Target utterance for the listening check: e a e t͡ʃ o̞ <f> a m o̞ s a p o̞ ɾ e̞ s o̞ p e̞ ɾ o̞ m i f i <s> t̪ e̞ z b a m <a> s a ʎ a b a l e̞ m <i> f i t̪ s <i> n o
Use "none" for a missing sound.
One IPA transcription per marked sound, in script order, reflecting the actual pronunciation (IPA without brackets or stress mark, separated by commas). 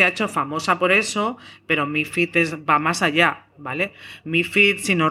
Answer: f, none, a, i, i